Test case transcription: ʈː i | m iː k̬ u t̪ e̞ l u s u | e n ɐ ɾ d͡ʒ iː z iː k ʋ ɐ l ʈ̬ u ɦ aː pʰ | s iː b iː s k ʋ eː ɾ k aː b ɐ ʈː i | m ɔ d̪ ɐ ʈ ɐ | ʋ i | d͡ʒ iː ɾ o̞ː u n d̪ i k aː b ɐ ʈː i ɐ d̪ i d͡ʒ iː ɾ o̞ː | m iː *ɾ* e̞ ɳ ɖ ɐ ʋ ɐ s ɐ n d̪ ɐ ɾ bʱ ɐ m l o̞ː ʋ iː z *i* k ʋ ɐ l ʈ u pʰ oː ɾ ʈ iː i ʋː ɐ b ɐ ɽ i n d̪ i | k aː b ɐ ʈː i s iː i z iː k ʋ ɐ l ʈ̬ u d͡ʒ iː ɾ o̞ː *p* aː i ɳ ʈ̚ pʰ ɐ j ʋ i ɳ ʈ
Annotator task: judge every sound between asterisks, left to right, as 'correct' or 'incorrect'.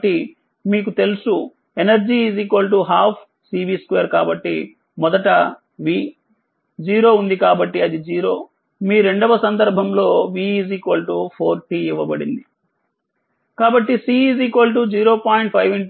correct, incorrect, correct

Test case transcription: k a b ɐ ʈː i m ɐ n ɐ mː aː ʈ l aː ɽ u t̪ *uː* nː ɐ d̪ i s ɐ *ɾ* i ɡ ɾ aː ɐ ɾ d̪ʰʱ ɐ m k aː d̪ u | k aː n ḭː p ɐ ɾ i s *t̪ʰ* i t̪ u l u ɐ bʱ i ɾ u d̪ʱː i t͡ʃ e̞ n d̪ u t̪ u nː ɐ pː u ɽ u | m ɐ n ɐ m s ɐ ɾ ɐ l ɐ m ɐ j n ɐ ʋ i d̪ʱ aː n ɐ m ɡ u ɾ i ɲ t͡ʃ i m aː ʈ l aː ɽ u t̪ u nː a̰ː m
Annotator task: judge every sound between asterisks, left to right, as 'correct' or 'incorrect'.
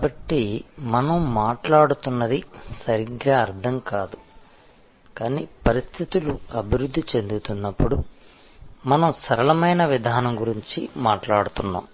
incorrect, correct, correct

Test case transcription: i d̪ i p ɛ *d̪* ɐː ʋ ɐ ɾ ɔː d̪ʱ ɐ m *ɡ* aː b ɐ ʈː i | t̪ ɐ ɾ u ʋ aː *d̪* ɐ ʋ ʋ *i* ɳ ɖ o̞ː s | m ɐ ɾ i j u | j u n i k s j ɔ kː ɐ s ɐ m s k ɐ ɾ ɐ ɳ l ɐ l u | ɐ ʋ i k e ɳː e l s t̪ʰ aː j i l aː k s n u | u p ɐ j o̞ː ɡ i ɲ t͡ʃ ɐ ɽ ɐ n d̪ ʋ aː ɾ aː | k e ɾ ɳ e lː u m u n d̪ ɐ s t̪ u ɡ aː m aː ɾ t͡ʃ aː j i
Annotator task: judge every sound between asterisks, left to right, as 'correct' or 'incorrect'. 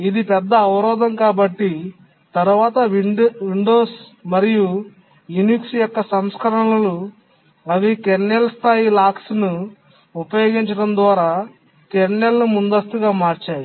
incorrect, incorrect, incorrect, correct

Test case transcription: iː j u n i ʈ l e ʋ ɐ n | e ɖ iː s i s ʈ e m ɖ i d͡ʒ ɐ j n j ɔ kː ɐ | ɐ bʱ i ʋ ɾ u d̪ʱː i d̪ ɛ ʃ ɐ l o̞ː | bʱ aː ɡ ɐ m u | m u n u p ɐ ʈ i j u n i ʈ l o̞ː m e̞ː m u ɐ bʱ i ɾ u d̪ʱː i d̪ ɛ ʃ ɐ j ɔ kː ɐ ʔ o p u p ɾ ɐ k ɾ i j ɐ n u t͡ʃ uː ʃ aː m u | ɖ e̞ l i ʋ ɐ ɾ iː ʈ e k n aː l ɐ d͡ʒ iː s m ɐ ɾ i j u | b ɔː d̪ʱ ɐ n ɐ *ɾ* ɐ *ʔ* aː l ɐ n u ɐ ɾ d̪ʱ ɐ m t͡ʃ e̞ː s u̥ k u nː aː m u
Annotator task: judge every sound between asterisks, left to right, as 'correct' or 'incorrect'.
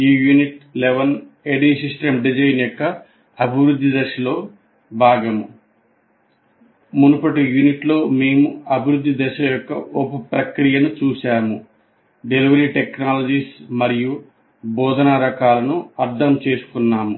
correct, incorrect

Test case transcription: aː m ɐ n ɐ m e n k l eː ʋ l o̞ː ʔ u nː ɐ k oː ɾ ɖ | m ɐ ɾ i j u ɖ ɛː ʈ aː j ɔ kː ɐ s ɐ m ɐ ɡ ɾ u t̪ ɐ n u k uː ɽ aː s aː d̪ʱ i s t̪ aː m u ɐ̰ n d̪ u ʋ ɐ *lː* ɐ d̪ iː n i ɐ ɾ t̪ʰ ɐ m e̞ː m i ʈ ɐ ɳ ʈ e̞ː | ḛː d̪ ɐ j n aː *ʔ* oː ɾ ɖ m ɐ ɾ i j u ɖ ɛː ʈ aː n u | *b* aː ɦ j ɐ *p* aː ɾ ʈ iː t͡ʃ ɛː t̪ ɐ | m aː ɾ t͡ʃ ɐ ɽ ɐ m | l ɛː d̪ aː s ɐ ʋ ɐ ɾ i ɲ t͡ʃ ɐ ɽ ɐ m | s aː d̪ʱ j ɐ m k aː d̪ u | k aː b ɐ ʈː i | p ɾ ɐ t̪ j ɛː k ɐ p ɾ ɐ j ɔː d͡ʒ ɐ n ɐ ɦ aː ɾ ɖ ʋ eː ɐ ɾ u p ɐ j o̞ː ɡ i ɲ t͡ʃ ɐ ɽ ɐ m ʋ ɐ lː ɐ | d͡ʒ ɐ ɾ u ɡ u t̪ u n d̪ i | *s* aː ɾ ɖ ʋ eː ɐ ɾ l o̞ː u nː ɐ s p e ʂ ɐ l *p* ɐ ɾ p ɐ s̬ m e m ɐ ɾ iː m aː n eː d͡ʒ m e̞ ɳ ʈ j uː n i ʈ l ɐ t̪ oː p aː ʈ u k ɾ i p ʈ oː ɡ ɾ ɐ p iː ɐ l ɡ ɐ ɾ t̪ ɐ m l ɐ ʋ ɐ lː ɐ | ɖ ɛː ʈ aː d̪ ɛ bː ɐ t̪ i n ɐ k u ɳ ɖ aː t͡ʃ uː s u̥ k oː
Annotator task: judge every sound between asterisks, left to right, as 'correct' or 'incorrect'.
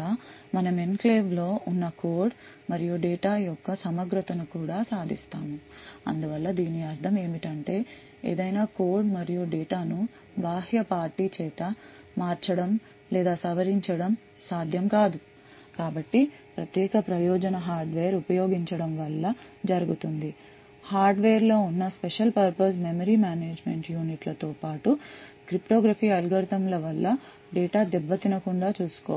correct, incorrect, correct, correct, incorrect, correct

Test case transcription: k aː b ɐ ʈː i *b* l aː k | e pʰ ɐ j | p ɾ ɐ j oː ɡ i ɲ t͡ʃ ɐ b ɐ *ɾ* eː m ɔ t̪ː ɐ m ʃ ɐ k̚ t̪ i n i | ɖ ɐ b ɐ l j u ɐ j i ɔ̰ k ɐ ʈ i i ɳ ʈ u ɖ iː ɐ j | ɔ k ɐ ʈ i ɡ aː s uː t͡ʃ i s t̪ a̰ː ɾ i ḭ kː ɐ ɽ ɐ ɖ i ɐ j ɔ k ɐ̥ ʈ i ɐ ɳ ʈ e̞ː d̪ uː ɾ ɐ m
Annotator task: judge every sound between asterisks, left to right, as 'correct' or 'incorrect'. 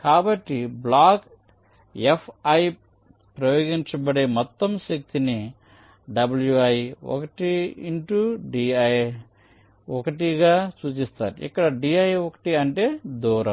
correct, incorrect

